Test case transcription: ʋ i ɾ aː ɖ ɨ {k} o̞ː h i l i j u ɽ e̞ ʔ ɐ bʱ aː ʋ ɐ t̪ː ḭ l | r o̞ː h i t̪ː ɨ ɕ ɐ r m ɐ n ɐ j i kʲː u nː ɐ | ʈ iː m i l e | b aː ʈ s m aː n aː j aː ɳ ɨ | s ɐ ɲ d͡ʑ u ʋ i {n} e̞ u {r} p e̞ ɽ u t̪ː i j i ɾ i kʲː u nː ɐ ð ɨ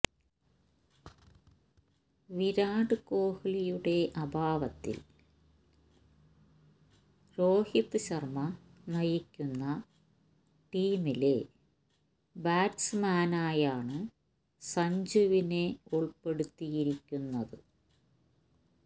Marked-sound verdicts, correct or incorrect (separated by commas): correct, correct, incorrect